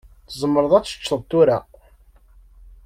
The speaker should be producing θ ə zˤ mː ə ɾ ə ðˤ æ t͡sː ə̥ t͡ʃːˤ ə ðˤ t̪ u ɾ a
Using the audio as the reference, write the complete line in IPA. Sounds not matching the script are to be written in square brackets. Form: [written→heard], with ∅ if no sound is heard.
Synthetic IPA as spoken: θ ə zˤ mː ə ɾ ə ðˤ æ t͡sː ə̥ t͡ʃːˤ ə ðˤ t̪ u ɾ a